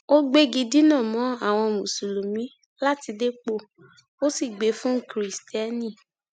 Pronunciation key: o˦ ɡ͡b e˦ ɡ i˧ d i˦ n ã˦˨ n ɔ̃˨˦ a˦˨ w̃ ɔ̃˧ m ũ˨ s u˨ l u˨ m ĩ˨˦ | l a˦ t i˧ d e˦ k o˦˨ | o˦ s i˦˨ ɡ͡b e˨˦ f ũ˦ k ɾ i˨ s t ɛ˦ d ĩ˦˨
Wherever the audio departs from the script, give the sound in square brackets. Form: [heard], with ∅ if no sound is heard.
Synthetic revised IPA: o˦ ɡ͡b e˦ ɡ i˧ d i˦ n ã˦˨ [m] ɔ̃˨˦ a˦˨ w̃ ɔ̃˧ m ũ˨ s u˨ l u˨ m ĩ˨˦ | l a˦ t i˧ d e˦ [k͡p] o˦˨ | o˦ s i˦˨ ɡ͡b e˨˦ f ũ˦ k ɾ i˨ s t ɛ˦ [n] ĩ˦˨